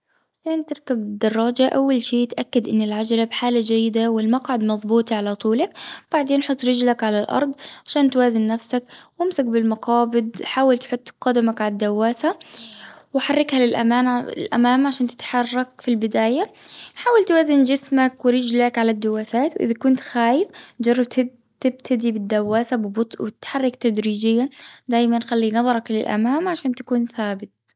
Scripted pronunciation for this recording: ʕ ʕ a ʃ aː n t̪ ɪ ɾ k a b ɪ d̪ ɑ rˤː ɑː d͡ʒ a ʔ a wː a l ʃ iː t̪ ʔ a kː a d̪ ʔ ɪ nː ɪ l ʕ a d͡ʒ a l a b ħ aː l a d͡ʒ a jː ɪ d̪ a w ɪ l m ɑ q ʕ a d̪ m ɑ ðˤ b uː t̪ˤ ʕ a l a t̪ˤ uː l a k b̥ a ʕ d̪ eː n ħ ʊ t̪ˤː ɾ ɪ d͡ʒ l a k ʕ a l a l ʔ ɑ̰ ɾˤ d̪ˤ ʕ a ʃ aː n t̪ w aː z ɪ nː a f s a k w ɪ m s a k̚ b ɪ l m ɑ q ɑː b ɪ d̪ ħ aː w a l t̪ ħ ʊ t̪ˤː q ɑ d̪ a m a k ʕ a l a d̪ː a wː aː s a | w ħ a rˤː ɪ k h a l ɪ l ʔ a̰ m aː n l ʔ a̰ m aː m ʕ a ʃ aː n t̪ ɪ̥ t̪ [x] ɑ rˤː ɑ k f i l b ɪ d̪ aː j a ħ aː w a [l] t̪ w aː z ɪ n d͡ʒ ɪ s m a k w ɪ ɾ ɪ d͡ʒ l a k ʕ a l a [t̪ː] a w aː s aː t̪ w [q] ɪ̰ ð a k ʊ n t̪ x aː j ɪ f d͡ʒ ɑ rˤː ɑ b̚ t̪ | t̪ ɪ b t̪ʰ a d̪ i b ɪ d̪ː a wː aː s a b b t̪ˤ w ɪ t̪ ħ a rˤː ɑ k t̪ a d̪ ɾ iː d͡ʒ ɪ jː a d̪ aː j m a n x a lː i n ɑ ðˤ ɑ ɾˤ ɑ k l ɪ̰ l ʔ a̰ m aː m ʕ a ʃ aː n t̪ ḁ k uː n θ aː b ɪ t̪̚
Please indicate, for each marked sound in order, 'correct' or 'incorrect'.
incorrect: ħ, correct, incorrect: d̪ː, incorrect: ʔ

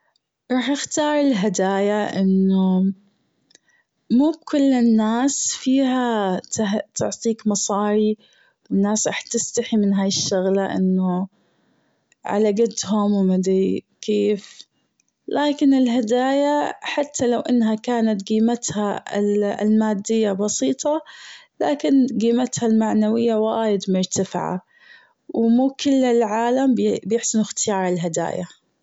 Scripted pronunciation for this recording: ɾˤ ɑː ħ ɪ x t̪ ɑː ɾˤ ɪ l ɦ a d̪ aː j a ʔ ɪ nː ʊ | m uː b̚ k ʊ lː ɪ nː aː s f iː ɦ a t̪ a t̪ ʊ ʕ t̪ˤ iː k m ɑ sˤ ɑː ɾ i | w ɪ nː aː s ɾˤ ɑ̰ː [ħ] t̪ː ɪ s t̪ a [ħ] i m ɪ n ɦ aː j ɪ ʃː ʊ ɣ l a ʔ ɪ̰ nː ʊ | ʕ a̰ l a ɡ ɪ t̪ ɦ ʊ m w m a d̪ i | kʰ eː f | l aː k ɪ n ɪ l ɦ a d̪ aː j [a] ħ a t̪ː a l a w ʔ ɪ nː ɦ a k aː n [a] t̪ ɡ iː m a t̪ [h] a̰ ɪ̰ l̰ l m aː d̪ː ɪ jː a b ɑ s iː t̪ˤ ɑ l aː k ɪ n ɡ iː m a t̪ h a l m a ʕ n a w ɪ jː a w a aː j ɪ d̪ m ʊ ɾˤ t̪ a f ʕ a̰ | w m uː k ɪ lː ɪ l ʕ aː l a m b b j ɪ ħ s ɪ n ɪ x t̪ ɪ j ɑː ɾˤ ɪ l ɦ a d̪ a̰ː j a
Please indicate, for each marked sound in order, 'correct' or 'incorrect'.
correct, correct, correct, correct, correct

